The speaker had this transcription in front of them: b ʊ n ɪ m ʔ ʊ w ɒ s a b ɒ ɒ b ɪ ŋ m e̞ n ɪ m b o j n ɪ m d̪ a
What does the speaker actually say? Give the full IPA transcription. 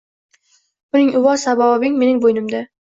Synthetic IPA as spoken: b ʊ n ɪ ŋ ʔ ʊ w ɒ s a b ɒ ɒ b ɪ ŋ m e̞ n ɪ ŋ b o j n ɪ m d̪ a